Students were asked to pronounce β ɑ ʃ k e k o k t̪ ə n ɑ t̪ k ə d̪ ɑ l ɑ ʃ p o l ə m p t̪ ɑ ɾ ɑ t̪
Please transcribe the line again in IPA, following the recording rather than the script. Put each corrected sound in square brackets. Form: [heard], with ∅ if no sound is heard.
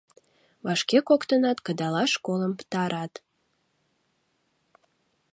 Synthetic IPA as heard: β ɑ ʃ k e k o k t̪ ə n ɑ t̪ k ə d̪ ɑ l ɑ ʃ [k] o l ə m p t̪ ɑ ɾ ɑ t̪